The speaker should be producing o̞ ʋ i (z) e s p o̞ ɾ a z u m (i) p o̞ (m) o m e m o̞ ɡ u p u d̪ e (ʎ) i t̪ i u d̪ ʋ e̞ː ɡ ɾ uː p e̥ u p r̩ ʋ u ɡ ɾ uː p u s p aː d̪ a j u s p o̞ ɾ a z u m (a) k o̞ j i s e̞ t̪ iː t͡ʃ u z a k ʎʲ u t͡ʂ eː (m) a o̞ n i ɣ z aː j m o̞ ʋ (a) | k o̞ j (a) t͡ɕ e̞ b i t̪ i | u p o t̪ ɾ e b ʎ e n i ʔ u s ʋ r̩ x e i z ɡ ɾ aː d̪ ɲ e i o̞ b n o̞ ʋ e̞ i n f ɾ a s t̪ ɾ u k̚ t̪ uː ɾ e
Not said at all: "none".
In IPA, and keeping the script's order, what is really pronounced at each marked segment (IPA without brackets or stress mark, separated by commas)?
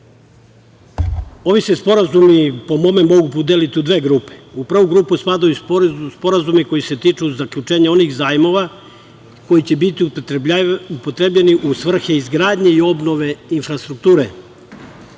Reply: s, i, m, l, i, ɲ, a, i